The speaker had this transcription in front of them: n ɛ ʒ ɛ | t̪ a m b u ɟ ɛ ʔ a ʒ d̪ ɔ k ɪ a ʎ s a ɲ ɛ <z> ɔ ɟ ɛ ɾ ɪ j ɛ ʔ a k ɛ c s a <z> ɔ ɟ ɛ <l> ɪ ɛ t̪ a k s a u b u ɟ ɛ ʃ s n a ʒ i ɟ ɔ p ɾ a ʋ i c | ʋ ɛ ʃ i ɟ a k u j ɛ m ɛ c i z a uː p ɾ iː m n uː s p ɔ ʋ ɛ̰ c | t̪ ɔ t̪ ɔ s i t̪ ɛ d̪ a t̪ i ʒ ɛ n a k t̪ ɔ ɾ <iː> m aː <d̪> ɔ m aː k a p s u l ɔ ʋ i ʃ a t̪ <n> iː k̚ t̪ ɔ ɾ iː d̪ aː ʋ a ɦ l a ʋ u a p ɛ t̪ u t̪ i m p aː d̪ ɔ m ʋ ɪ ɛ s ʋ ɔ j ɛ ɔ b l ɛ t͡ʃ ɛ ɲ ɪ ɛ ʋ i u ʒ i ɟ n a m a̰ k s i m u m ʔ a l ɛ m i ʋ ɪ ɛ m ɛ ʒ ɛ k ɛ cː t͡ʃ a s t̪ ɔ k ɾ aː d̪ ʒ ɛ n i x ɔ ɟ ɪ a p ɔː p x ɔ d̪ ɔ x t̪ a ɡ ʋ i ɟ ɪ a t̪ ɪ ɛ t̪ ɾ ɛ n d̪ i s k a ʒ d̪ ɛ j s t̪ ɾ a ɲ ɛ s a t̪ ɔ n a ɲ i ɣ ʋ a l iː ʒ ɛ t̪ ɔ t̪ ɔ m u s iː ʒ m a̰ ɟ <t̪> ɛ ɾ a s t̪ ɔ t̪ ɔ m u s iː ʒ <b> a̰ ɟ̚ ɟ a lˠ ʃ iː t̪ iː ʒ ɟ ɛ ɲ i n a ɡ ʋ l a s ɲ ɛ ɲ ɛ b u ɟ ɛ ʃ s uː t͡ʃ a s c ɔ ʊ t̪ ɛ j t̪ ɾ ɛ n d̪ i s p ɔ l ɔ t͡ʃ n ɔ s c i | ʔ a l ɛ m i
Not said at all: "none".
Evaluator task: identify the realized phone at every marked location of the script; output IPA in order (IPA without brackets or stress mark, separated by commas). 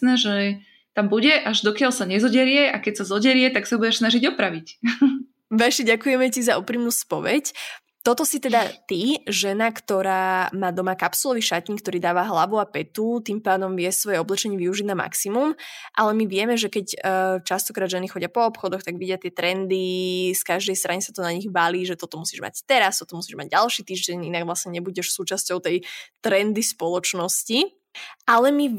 z, z, ɾ, aː, d̪, ɲ, t̪, m